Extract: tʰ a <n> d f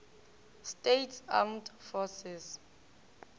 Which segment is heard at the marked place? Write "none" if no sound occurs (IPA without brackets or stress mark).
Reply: m